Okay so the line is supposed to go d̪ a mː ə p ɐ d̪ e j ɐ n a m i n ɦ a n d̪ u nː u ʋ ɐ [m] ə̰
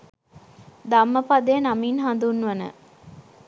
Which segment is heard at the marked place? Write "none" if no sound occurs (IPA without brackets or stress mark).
n